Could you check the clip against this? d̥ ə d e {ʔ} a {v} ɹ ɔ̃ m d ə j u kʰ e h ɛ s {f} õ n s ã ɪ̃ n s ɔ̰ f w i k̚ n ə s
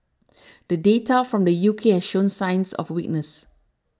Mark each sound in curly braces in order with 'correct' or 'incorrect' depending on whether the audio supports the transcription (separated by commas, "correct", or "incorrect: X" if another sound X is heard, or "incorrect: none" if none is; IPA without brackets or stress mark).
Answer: incorrect: t, incorrect: f, incorrect: ʃ